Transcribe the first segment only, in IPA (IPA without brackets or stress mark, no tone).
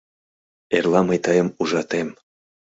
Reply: e